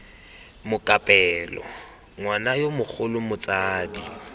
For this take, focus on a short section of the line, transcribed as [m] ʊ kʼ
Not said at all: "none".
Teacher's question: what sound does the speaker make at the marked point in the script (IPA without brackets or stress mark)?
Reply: m